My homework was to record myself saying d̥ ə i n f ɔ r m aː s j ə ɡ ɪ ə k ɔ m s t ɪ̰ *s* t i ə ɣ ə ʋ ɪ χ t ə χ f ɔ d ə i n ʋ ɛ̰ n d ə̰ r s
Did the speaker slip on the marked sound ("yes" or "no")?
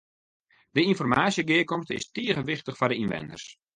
no